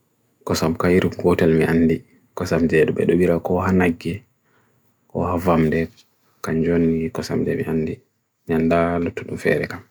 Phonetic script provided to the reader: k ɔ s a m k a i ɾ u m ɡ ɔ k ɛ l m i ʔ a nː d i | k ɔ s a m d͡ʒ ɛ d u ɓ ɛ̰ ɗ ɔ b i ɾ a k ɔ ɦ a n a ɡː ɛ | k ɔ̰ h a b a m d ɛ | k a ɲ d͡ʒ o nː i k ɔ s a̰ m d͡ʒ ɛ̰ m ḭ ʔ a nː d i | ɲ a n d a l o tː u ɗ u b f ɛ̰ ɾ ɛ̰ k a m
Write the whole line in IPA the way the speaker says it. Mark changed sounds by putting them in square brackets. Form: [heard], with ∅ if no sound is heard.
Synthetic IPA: k ɔ s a m k a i ɾ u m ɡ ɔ [t] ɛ l m i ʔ a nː d i | k ɔ s a m d͡ʒ ɛ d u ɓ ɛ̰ ɗ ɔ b i ɾ a k ɔ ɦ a n a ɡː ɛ | k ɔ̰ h a [v] a m d ɛ | k a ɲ d͡ʒ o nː i k ɔ s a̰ m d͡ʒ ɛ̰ m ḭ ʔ a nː d i | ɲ a n d a l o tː u ɗ u [m] f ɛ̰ ɾ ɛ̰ k a m